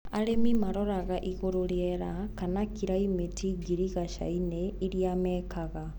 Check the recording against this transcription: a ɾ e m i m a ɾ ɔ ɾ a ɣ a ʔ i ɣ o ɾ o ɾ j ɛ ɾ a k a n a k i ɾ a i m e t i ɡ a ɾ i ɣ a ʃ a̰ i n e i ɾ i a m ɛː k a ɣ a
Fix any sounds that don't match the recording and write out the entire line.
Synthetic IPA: a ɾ e m i m a ɾ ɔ ɾ a ɣ a ʔ i ɣ o ɾ o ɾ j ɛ ɾ a k a n a k i ɾ a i m e t i ɡ i ɾ i ɣ a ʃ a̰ i n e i ɾ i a m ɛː k a ɣ a